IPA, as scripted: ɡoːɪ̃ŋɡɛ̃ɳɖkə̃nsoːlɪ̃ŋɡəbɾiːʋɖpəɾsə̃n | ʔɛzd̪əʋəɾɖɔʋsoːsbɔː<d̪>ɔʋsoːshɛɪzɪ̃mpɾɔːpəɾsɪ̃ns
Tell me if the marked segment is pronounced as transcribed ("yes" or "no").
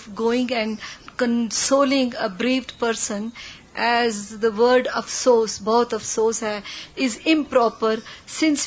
no